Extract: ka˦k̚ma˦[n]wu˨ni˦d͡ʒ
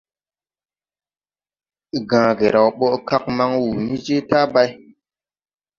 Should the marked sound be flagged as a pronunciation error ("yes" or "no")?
yes